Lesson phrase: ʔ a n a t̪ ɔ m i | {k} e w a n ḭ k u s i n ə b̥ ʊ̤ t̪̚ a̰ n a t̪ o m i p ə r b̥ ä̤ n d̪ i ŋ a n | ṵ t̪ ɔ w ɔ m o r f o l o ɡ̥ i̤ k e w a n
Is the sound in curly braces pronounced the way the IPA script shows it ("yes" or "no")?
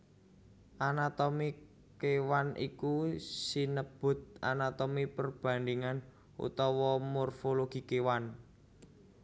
yes